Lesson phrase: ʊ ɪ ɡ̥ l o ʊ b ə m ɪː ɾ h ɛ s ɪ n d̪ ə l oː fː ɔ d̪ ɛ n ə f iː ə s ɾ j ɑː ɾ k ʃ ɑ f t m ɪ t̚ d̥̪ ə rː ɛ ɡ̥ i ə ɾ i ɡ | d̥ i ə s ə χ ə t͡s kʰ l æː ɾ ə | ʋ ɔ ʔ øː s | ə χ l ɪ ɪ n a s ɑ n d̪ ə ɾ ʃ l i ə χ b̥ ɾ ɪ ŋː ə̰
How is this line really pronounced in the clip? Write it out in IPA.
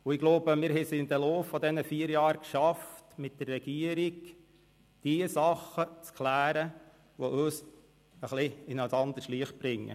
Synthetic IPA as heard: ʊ ɪ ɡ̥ l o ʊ b ə m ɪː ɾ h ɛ s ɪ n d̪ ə l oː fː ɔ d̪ ɛ n ə f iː ə ɾ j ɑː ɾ k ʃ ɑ f t m ɪ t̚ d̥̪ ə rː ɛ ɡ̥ i ə ɾ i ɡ | d̥ i ə s ɑ χ ə t͡s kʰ l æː ɾ ə | ʋ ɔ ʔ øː s | ə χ l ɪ ɪ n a s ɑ n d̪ ə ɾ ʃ l i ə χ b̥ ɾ ɪ ŋː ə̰